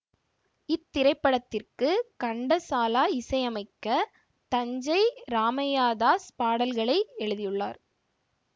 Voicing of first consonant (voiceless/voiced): voiceless